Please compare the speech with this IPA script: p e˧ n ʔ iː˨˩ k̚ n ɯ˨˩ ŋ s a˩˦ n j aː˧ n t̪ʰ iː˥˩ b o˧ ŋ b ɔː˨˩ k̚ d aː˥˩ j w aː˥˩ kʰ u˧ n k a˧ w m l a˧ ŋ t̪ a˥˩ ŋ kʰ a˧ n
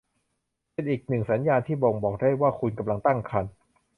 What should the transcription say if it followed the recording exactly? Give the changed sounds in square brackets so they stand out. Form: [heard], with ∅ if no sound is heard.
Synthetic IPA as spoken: p e˧ n ʔ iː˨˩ k̚ n ɯ˨˩ ŋ s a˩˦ n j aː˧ n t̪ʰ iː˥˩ b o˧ ŋ b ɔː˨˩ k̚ d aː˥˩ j w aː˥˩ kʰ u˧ n k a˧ [∅] m l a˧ ŋ t̪ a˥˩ ŋ kʰ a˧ n